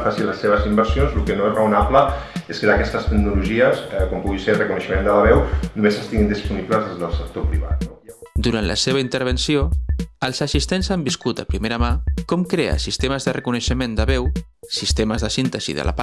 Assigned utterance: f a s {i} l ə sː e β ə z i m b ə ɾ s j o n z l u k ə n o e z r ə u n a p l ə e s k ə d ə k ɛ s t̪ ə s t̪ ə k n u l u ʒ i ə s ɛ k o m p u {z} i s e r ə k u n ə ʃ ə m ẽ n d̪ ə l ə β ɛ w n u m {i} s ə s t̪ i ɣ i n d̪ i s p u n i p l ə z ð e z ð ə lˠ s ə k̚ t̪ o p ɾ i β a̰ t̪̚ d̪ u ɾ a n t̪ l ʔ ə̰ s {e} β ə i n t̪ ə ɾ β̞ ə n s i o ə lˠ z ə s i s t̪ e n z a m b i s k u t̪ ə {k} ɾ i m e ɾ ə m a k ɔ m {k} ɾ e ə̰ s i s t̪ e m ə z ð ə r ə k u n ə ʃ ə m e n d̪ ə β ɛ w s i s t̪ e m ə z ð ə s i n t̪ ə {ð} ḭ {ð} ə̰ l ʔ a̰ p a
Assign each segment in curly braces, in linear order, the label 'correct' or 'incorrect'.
correct, incorrect: ɣ, incorrect: e, correct, incorrect: p, correct, incorrect: z, correct

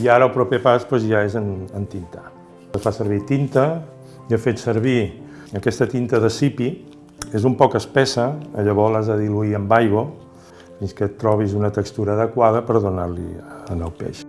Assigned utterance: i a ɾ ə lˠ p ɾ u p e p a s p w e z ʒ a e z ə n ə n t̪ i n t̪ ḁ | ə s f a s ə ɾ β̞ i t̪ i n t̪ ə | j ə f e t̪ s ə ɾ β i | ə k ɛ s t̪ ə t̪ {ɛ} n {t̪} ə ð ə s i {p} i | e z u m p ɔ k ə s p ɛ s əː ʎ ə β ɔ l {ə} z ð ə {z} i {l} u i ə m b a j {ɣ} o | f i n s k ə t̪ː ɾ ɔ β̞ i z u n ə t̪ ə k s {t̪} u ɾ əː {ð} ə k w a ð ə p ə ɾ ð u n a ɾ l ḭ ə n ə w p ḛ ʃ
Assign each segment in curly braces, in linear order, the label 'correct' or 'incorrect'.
incorrect: i, correct, correct, incorrect: a, incorrect: ð, correct, correct, correct, correct

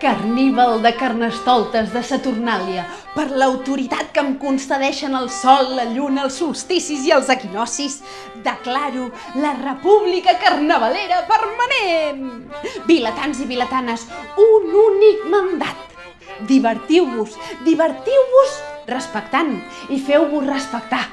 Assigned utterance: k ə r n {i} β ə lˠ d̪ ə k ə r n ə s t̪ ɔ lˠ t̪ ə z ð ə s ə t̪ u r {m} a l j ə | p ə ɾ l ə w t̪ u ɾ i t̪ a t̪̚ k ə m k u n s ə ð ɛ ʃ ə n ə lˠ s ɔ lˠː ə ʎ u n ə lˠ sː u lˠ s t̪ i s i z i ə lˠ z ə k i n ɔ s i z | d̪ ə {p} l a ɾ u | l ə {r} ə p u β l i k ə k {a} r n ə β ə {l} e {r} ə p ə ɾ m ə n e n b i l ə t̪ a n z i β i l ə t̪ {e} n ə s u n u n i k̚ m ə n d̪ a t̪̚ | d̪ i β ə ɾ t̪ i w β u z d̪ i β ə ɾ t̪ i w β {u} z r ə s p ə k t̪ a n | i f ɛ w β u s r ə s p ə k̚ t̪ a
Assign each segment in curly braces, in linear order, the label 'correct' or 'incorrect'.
correct, incorrect: n, incorrect: k, correct, incorrect: ə, correct, incorrect: ɾ, incorrect: a, correct

